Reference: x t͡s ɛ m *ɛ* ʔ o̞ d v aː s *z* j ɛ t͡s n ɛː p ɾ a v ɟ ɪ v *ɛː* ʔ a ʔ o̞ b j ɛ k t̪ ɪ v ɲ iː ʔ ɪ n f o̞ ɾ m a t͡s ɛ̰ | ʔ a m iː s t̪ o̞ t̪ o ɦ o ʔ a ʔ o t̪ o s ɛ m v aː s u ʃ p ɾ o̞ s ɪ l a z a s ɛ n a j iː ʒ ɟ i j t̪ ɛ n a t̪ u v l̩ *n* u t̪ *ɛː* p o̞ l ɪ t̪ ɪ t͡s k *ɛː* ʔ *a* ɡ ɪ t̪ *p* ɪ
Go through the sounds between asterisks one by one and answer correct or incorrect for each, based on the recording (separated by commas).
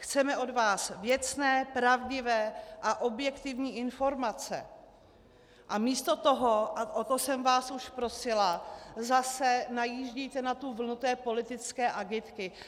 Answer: correct, incorrect, correct, correct, correct, correct, correct, incorrect